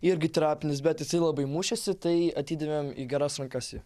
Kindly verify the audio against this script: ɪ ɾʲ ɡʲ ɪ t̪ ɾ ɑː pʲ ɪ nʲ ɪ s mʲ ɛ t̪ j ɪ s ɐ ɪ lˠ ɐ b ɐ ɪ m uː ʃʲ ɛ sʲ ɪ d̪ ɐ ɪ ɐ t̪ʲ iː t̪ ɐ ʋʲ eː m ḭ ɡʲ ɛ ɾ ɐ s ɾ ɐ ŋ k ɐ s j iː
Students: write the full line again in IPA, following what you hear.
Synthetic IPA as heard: ɪ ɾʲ ɡʲ ɪ t̪ ɾ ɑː pʲ ɪ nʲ ɪ s bʲ ɛ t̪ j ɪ s ɐ ɪ lˠ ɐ b ɐ ɪ m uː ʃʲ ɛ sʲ ɪ t̪ ɐ ɪ ɐ t̪ʲ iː d̪ ɐ ʋʲ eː m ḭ ɡʲ ɛ ɾ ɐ s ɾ ɐ ŋ k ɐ s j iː